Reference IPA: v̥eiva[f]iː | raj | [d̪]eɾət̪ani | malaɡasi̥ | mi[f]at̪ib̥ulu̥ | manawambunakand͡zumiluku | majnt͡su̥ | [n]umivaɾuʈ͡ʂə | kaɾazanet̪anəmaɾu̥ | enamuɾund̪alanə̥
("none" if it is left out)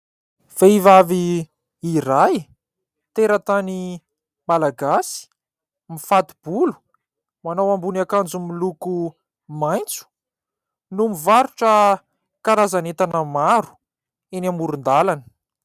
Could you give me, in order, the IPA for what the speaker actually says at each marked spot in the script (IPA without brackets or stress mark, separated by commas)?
v, t̪, f, n